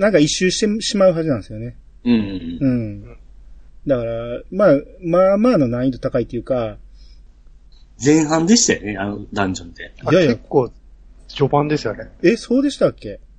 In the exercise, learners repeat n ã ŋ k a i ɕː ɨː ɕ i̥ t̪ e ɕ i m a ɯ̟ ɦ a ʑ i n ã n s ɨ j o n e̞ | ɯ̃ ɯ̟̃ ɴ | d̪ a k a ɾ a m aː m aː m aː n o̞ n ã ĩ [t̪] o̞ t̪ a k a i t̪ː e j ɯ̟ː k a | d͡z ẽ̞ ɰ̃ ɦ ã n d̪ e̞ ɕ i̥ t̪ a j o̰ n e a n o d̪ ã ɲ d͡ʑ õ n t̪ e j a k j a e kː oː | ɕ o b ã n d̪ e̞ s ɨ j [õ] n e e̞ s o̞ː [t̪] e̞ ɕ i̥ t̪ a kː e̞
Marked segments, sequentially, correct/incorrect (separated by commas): correct, incorrect, incorrect